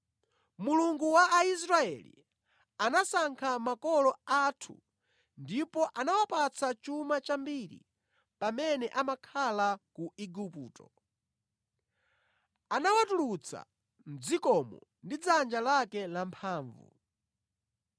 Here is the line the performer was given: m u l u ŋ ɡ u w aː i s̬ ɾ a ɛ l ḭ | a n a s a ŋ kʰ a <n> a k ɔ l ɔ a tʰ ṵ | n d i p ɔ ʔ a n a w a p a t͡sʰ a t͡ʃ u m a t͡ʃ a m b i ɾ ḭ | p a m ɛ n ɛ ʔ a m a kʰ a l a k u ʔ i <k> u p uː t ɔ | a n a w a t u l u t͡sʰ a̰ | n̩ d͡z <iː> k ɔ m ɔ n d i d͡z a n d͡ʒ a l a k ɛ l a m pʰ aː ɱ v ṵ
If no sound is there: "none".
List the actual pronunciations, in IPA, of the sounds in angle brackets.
m, ɡ, i

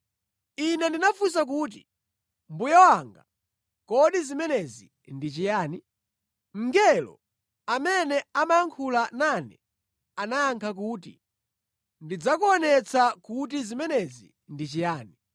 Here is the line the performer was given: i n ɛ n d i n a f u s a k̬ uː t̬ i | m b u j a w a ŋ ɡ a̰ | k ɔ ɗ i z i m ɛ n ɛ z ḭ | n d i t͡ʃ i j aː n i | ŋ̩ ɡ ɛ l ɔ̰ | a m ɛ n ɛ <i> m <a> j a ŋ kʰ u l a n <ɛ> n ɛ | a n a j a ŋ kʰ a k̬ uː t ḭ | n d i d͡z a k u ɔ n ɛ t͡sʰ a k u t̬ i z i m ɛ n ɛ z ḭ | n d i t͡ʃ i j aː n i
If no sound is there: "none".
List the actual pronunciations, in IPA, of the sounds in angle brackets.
a, a, a

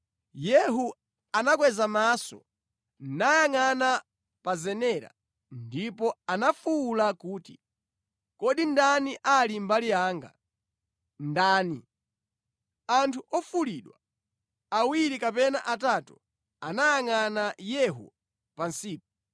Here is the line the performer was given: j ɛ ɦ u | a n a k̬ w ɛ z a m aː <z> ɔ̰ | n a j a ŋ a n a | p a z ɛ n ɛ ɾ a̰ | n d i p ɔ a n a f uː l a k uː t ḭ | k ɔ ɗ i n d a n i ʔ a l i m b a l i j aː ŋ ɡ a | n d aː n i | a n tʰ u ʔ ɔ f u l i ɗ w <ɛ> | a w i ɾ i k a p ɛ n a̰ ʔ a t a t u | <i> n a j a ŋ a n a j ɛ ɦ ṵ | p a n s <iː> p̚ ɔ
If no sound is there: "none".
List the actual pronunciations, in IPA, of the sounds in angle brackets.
s, a, a, iː

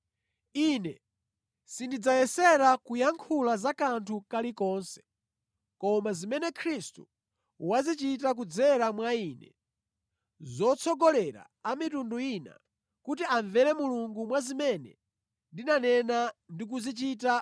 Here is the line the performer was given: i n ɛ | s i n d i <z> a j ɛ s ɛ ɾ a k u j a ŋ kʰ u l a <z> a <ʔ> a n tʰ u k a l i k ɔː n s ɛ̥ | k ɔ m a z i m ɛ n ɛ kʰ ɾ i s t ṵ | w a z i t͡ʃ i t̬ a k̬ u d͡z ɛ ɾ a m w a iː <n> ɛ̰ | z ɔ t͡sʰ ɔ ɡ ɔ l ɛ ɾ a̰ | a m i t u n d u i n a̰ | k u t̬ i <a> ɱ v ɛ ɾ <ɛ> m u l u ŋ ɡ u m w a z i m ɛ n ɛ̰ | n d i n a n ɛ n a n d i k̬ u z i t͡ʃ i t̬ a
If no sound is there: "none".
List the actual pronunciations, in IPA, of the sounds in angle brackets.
d͡z, z, k, n, a, ɛ

